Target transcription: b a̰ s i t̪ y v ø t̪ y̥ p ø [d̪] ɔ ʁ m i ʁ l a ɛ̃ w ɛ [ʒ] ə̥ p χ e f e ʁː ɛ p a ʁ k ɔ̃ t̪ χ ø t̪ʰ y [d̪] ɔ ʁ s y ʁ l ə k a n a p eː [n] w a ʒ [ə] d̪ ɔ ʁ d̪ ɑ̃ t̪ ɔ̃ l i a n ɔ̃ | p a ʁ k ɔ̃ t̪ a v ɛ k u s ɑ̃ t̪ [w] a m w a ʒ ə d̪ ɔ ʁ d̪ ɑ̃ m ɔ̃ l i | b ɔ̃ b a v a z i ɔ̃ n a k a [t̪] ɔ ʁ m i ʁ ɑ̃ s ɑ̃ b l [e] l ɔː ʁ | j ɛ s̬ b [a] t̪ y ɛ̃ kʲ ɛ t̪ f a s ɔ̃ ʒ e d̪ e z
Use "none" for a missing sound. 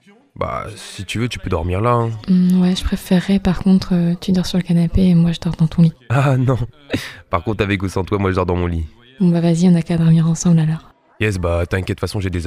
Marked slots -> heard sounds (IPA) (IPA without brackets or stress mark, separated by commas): d̪, ʒ, d̪, m, ə, w, d̪, a, a